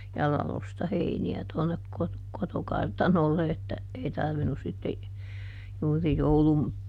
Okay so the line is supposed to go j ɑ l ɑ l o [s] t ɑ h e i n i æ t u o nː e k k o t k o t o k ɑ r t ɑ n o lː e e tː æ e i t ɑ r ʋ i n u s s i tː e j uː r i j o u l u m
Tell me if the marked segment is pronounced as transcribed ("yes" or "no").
yes